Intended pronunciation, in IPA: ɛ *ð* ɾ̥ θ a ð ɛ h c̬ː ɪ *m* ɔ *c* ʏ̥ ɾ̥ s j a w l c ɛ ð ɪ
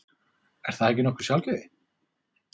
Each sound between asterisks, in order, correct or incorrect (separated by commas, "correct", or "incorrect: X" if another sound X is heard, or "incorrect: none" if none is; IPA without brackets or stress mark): incorrect: none, incorrect: n, incorrect: k